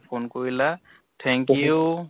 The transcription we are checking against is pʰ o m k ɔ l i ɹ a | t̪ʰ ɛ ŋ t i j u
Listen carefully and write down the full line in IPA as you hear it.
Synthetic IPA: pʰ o n k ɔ ɹ i l a | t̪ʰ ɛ ŋ k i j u